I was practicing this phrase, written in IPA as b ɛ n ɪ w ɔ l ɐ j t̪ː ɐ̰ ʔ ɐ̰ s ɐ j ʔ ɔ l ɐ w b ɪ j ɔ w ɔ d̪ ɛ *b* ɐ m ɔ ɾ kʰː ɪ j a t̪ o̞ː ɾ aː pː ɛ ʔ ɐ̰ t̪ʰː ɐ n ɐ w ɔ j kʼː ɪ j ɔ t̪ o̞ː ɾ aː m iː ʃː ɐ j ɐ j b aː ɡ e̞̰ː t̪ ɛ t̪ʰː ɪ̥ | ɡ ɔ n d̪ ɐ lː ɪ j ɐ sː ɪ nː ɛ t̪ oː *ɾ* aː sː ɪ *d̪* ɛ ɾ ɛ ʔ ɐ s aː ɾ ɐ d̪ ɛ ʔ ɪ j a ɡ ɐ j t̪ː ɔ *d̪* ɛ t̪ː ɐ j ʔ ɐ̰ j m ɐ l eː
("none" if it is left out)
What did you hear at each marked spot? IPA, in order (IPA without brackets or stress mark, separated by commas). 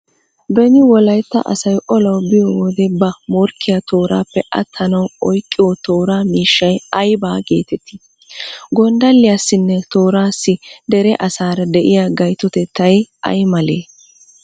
b, ɾ, d̪, t̪